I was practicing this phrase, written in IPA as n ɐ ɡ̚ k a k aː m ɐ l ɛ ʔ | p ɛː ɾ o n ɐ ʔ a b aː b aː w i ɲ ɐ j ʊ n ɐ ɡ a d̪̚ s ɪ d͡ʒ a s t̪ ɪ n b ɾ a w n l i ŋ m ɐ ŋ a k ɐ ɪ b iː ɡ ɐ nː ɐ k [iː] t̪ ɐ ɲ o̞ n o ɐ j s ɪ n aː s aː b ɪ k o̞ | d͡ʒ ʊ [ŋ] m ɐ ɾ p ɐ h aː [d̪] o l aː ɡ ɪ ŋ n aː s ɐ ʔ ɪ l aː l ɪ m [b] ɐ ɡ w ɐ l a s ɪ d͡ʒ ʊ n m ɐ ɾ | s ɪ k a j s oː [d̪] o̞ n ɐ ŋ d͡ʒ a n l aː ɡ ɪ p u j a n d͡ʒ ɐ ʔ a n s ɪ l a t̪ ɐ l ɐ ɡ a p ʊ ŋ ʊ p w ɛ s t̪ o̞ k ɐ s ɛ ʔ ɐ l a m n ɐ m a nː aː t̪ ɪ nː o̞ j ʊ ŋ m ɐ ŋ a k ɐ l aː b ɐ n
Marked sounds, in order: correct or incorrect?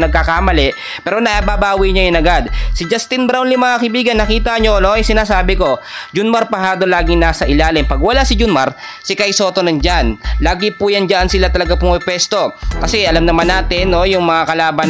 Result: correct, incorrect, correct, incorrect, incorrect

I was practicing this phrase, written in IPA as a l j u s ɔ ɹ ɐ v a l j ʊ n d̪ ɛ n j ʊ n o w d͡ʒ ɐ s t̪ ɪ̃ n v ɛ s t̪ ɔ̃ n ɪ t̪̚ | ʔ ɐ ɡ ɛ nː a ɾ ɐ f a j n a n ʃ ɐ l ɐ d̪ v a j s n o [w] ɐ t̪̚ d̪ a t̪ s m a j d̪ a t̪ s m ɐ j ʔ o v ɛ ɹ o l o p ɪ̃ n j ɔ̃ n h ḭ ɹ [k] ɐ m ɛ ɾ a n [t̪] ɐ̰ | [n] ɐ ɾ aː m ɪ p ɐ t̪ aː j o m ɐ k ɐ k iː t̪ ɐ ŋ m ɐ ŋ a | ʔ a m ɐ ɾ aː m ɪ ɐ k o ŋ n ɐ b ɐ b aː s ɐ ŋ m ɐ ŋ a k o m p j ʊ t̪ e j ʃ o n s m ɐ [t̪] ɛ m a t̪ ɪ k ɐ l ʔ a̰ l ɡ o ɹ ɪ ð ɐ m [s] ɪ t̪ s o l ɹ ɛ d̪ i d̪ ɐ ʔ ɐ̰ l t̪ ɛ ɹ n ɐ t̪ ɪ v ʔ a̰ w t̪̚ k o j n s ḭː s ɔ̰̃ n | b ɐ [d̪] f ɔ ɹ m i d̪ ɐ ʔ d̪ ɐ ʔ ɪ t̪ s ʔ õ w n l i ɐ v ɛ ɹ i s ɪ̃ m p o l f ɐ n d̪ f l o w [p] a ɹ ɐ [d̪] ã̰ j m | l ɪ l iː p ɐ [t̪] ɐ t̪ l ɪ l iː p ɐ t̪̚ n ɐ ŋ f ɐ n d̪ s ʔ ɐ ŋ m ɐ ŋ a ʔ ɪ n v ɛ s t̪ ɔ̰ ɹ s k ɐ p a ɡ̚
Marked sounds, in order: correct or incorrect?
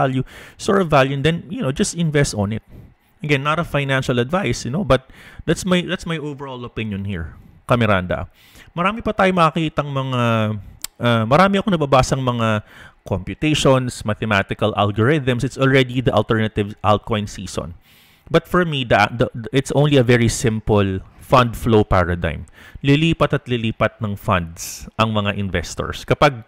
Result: incorrect, correct, incorrect, incorrect, correct, correct, incorrect, correct, correct, correct

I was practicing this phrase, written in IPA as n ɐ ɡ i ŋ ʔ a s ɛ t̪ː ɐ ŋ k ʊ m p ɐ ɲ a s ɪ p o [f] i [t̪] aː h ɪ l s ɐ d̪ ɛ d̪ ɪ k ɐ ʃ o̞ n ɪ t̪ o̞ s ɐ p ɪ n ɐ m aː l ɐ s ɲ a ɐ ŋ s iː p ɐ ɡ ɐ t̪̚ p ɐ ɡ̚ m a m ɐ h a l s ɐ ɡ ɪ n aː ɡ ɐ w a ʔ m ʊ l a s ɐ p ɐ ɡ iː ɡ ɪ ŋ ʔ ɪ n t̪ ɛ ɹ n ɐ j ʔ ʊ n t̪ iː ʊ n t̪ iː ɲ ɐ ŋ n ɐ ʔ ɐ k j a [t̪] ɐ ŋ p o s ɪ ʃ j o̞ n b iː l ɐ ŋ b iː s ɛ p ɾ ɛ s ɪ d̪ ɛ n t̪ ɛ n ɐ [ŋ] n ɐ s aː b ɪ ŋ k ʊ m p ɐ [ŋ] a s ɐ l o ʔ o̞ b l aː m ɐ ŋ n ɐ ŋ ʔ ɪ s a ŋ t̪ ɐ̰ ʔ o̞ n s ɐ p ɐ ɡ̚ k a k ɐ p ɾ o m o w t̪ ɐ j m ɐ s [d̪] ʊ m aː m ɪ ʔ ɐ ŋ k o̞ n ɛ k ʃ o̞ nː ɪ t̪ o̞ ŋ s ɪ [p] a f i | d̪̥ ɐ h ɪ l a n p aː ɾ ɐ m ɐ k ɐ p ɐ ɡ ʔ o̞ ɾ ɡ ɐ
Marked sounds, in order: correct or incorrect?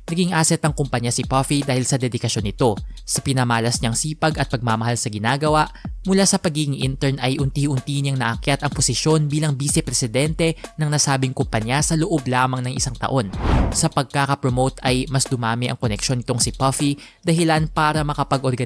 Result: correct, incorrect, correct, correct, incorrect, correct, correct

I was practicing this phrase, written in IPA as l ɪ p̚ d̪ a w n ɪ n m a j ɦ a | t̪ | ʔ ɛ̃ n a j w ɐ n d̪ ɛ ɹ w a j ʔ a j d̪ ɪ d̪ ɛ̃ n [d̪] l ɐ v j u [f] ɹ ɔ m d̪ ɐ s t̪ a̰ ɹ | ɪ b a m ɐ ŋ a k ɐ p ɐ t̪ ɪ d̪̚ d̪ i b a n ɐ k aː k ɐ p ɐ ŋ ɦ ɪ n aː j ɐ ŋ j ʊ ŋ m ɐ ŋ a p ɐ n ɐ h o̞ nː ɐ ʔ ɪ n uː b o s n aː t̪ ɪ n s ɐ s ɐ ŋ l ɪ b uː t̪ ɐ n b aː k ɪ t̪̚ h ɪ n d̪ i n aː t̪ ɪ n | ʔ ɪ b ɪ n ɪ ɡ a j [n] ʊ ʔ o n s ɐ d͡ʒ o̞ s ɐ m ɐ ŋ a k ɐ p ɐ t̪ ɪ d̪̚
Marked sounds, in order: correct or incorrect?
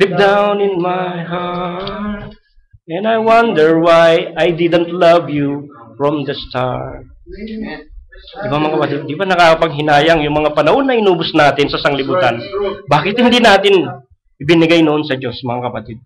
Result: incorrect, correct, correct

